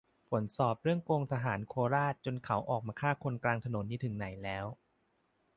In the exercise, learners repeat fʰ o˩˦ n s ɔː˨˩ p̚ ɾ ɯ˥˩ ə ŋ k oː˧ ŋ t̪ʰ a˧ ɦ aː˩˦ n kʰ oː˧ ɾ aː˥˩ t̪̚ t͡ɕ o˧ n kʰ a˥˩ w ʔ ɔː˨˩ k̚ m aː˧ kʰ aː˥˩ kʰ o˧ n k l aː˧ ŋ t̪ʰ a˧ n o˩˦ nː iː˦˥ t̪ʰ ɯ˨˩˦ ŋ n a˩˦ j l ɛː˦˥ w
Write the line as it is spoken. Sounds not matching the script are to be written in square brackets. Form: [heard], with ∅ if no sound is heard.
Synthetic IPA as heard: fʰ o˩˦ n s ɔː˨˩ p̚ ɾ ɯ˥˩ ə ŋ k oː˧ ŋ t̪ʰ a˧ ɦ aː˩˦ n kʰ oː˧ ɾ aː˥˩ t̪̚ t͡ɕ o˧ n kʰ [a˩˦] w ʔ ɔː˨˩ k̚ m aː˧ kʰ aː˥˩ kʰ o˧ n k l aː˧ ŋ t̪ʰ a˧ n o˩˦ nː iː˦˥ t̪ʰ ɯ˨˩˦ ŋ n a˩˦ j l ɛː˦˥ w